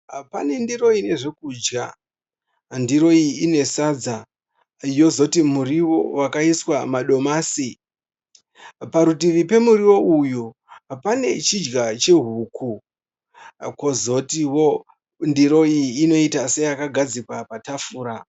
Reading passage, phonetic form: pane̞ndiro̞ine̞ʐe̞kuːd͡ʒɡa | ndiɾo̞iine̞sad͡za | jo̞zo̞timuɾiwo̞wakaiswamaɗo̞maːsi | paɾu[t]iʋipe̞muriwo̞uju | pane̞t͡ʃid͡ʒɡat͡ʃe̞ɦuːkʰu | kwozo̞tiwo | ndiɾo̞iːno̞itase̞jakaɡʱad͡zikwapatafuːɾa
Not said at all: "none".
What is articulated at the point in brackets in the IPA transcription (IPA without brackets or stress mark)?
t